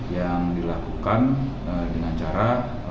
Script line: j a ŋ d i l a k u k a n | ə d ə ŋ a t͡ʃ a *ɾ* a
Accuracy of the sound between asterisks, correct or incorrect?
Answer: correct